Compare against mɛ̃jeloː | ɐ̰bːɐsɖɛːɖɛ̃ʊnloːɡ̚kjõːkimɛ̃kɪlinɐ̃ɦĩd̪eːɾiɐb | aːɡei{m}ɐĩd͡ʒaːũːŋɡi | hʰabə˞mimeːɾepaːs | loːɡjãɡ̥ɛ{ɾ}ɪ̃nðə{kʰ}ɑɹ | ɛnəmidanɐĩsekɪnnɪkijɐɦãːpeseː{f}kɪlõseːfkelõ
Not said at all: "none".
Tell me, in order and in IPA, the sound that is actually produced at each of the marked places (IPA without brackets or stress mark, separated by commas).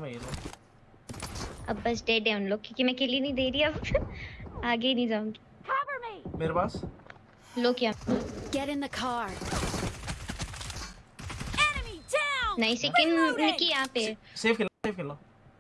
n, ɾ, kʰ, f